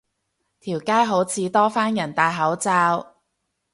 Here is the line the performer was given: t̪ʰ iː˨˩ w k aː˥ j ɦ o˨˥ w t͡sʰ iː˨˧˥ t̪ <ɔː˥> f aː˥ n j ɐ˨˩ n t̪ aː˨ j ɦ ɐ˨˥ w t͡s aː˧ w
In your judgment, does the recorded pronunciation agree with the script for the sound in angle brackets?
yes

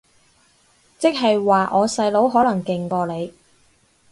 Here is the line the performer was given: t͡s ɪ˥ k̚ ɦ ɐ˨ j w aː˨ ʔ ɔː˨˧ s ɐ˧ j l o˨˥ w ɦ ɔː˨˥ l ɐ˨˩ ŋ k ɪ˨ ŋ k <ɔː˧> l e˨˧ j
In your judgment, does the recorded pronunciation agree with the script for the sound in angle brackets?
yes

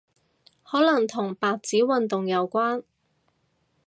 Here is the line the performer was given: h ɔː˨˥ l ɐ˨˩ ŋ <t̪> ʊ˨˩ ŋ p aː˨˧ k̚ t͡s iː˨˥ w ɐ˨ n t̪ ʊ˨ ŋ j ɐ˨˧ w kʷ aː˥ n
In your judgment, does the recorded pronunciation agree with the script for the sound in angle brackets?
no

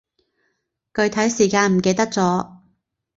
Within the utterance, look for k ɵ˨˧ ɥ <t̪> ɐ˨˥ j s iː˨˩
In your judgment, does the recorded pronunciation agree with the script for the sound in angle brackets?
no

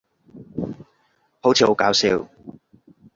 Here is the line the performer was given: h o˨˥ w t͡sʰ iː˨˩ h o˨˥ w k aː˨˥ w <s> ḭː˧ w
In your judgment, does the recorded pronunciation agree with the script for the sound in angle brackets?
yes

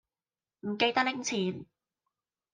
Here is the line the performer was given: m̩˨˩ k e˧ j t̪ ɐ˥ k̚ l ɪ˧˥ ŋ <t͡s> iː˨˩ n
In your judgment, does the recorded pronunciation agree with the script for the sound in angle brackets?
no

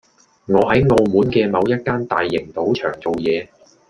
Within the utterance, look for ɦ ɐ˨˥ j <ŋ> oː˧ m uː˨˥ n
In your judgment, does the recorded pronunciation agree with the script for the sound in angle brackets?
yes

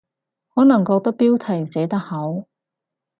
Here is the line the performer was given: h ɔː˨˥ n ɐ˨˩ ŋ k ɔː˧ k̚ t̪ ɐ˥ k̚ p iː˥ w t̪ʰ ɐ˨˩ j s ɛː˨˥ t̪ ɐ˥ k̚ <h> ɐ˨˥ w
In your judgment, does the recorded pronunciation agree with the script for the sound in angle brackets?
yes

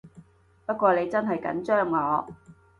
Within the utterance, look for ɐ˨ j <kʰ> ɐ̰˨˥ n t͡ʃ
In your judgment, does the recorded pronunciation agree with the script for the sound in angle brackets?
no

